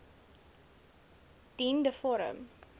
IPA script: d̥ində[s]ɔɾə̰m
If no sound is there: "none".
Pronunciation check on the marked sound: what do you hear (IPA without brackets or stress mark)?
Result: f